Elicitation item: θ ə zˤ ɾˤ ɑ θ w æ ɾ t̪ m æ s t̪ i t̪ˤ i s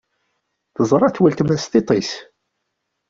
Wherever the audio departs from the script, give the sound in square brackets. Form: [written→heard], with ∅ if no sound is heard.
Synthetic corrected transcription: θ ə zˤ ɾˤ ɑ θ w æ [ɾ→l] t̪ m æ s t̪ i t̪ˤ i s